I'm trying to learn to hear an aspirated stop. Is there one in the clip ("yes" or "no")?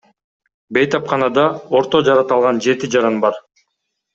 no